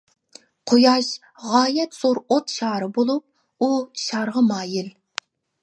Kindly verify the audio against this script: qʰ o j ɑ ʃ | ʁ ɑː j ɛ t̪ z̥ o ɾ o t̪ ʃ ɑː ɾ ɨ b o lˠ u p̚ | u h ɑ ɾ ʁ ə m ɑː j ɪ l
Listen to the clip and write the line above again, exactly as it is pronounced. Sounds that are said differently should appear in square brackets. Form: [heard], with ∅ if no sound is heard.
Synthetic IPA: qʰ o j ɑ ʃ | ʁ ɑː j ɛ t̪ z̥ o ɾ o t̪ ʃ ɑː ɾ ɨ b o lˠ u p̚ | u [ʃ] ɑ ɾ ʁ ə m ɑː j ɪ l